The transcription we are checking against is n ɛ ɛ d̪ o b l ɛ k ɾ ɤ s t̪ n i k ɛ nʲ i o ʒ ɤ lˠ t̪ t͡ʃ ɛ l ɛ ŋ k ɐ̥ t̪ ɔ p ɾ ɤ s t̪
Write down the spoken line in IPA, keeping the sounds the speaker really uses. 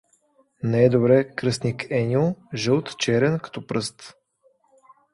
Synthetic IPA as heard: n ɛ ɛ d̪ o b ɾ ɛ k ɾ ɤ s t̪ n i k ɛ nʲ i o ʒ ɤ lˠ t̪ t͡ʃ ɛ ɾ ɛ n k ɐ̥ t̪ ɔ p ɾ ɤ s t̪

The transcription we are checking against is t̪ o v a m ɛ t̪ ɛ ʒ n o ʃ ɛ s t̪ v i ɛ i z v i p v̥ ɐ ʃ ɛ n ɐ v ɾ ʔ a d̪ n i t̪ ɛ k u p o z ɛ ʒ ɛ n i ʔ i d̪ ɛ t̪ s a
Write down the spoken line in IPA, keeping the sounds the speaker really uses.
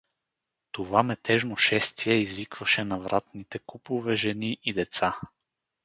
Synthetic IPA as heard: t̪ o v a m ɛ t̪ ɛ ʒ n o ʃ ɛ s t̪ v i ɛ i z v i k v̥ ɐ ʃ ɛ n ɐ v ɾ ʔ a t̪ n i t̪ ɛ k u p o v ɛ ʒ ɛ n i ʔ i d̪ ɛ t̪ s a

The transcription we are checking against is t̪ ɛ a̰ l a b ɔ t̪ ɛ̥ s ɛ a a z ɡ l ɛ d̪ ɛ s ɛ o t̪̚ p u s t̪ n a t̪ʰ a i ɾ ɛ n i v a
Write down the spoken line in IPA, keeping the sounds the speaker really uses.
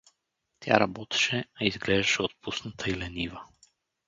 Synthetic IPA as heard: t̪ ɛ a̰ ɾ a b ɔ t̪ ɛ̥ ʃ ɛ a i z ɡ l ɛ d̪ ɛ ʃ ɛ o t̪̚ p u s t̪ n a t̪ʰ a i l ɛ n i v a

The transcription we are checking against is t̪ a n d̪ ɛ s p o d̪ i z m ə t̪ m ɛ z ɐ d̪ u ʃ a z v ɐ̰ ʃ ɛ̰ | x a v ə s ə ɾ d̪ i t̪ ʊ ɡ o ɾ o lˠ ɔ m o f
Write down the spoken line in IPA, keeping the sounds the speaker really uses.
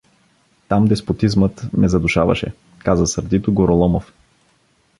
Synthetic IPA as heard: t̪ a m d̪ ɛ s p o t̪ i z m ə t̪ m ɛ z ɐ d̪ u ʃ a v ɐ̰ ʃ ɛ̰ | k a z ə s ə ɾ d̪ i t̪ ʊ ɡ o ɾ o lˠ ɔ m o f

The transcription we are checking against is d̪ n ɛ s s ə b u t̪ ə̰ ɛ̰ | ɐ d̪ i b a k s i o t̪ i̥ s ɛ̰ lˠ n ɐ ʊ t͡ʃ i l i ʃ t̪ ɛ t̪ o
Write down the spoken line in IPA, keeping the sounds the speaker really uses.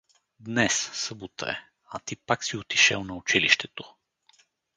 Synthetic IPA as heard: d̪ n ɛ s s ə b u t̪ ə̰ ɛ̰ | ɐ t̪ i p a k s i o t̪ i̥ ʃ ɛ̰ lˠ n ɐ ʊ t͡ʃ i l i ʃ t̪ ɛ t̪ o

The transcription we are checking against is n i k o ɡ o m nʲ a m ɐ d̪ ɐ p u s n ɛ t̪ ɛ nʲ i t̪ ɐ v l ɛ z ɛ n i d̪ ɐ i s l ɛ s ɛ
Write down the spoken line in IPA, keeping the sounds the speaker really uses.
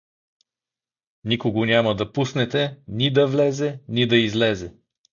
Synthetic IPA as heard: n i k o ɡ o nʲ a m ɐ d̪ ɐ p u s n ɛ t̪ ɛ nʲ i d̪ ɐ v l ɛ z ɛ n i d̪ ɐ i z l ɛ z ɛ

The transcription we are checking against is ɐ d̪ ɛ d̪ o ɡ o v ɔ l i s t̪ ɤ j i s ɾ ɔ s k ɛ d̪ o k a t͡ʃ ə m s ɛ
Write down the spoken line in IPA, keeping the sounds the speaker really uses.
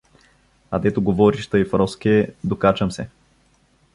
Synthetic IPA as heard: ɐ d̪ ɛ t̪ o ɡ o v ɔ ɾ i ʃ t̪ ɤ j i f ɾ ɔ s k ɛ d̪ o k a t͡ʃ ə m s ɛ

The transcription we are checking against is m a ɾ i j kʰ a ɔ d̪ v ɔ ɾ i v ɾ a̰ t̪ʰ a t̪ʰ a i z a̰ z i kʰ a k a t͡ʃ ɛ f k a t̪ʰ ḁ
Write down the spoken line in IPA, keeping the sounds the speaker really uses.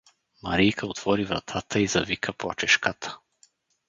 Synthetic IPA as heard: m a ɾ i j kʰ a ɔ t̪ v ɔ ɾ i v ɾ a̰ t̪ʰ a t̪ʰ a i z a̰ v i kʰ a p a t͡ʃ ɛ ʃ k a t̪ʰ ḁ

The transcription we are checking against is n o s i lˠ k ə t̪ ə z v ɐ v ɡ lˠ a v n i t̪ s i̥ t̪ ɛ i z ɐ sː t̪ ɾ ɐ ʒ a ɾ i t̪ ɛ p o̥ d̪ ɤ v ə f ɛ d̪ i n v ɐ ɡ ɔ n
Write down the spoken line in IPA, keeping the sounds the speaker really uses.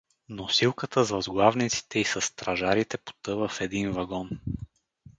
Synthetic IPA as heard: n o s i lˠ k ə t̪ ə z v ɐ z ɡ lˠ a v n i t̪ s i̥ t̪ ɛ i s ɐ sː t̪ ɾ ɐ ʒ a ɾ i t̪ ɛ p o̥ t̪ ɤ v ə f ɛ d̪ i n v ɐ ɡ ɔ n

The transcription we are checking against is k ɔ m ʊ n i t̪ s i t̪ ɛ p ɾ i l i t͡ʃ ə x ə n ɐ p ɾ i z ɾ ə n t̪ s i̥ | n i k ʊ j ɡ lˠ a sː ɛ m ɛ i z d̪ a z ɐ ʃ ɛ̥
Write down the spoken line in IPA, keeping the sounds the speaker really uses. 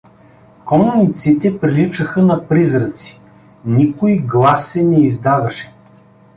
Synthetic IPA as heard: k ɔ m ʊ n i t̪ s i t̪ ɛ p ɾ i l i t͡ʃ ə x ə n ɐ p ɾ i z ɾ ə t̪ s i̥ | n i k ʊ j ɡ lˠ a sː ɛ n ɛ i z d̪ a v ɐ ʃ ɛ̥

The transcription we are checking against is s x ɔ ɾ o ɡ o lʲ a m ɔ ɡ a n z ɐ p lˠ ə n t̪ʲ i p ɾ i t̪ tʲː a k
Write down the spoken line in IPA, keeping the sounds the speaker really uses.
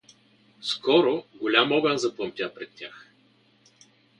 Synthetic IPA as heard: s k ɔ ɾ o ɡ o lʲ a m ɔ ɡ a n z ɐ p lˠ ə m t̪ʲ a p ɾ ɛ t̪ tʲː a x

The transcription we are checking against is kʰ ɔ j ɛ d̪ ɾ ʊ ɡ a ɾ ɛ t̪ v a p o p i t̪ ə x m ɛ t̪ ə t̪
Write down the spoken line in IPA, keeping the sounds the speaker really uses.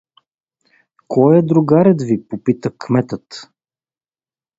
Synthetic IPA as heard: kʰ ɔ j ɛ d̪ ɾ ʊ ɡ a ɾ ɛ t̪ v i p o p i t̪ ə k m ɛ t̪ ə t̪

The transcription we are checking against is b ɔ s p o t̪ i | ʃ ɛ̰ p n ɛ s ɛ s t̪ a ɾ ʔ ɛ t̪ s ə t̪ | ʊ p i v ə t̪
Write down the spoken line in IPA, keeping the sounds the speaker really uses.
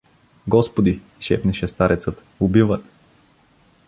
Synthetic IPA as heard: ɡ ɔ s p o d̪ i | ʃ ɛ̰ p n ɛ ʃ ɛ s t̪ a ɾ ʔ ɛ t̪ s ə t̪ | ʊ b i v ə t̪

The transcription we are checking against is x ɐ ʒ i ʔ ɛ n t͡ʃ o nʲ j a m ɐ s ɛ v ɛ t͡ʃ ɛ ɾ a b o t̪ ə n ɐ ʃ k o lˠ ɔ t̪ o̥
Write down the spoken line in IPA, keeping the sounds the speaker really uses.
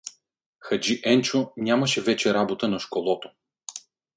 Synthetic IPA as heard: x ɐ d͡ʒ i ʔ ɛ n t͡ʃ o nʲ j a m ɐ ʃ ɛ v ɛ t͡ʃ ɛ ɾ a b o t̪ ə n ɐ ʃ k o lˠ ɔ t̪ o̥

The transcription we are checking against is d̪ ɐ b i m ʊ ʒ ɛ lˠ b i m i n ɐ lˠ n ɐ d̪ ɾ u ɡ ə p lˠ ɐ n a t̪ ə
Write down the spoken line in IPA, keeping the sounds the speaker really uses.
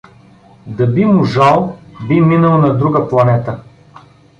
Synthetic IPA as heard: d̪ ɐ b i m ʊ ʒ a lˠ b i m i n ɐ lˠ n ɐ d̪ ɾ u ɡ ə p lˠ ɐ n ɛ t̪ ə

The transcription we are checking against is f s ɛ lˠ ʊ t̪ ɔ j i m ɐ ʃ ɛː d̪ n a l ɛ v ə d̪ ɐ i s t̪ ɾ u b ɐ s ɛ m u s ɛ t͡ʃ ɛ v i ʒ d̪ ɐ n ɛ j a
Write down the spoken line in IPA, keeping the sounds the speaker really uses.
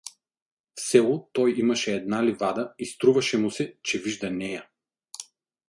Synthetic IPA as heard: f s ɛ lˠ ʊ t̪ ɔ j i m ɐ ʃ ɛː d̪ n a l i v a d̪ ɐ i s t̪ ɾ u v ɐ ʃ ɛ m u s ɛ t͡ʃ ɛ v i ʒ d̪ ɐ n ɛ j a

